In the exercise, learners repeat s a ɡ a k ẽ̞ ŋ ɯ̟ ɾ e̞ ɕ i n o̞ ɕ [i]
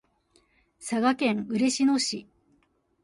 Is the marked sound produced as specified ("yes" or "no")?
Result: yes